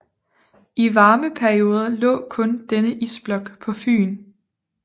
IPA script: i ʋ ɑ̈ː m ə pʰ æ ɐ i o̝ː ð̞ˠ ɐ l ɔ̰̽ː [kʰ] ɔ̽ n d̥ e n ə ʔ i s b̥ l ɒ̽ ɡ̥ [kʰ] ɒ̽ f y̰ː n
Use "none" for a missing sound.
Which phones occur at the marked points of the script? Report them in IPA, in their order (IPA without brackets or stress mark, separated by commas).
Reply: kʰ, pʰ